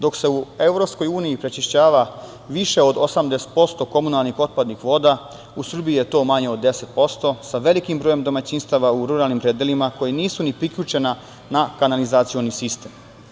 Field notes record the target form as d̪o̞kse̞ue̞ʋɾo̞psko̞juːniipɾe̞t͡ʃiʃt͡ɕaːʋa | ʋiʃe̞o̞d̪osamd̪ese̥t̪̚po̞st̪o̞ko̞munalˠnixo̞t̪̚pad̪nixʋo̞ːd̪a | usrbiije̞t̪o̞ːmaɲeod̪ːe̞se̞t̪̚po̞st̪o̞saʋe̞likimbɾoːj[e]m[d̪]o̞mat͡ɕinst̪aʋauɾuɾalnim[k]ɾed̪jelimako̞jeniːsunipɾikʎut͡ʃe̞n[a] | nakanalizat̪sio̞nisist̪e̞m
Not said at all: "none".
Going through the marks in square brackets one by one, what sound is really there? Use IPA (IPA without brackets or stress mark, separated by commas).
e, d̪, p, a